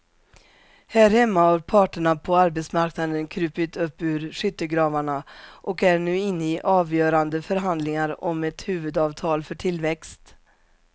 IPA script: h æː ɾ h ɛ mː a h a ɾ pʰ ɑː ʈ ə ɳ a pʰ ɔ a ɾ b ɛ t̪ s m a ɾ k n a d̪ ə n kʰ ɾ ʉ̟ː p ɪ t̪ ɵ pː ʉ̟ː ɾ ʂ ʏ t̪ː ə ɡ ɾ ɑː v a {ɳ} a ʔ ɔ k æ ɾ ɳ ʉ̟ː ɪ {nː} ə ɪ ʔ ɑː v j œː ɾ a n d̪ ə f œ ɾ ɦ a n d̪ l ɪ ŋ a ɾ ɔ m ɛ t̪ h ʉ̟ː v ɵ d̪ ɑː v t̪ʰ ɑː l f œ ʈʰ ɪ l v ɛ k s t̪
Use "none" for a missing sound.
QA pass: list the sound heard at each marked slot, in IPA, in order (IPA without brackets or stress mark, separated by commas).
ɳ, nː